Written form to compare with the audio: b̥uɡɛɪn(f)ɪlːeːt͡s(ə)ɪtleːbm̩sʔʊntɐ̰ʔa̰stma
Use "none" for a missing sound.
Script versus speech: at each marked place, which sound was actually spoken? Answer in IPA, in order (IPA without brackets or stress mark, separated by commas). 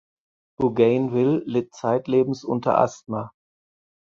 v, a